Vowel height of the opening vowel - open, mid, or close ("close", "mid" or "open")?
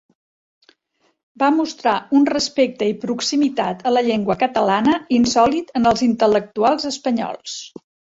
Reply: open